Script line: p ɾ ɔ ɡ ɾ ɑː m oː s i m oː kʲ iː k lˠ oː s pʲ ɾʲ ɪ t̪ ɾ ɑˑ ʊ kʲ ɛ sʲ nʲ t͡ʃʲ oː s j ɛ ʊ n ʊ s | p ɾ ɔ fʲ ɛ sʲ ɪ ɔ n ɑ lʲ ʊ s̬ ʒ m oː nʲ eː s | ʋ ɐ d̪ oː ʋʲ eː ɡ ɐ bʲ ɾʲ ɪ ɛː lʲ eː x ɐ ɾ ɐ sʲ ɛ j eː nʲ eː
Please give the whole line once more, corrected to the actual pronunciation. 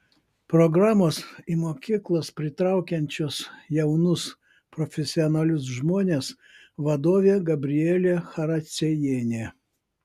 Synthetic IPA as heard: p ɾ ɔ ɡ ɾ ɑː m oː s i m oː kʲ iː k lˠ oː s pʲ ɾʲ ɪ t̪ ɾ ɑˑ ʊ kʲ ɛ nʲ t͡ʃʲ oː s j ɛ ʊ n ʊ s | p ɾ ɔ fʲ ɛ sʲ ɪ ɔ n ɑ lʲ ʊ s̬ ʒ m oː nʲ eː s | ʋ ɐ d̪ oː ʋʲ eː ɡ ɐ bʲ ɾʲ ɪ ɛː lʲ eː x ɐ ɾ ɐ sʲ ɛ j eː nʲ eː